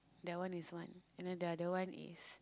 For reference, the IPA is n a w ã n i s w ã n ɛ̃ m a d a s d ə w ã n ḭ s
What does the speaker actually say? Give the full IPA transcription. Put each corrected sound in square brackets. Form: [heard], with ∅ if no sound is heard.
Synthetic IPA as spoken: [d] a w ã n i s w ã n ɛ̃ [n] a d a [∅] d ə w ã n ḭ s